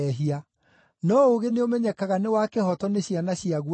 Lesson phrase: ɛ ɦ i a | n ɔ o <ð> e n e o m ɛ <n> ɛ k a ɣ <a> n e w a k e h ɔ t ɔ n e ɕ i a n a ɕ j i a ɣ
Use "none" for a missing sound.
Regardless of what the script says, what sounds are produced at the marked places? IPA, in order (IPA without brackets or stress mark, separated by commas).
ɣ, ɲ, a